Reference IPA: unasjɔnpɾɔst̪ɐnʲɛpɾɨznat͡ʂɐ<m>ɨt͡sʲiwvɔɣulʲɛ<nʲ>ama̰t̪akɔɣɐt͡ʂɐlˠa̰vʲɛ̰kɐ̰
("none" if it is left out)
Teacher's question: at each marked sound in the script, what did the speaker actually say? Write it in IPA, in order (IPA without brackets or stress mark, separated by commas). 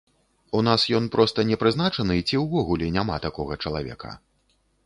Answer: n, nʲ